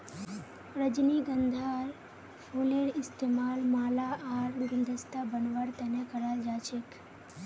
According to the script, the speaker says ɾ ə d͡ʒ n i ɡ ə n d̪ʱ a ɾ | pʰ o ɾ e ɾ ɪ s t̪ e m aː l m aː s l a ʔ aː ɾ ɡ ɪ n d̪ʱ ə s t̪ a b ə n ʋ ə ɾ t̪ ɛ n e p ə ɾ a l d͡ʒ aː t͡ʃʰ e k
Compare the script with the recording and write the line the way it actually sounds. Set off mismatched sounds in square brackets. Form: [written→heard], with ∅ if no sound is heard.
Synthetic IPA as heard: ɾ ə d͡ʒ n i ɡ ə n d̪ʱ a ɾ | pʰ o [ɾ→l] e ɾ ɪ s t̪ e m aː l m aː [s→∅] l a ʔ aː ɾ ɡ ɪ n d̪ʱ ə s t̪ a b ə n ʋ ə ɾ t̪ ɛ n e [p→k] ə ɾ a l d͡ʒ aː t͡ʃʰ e k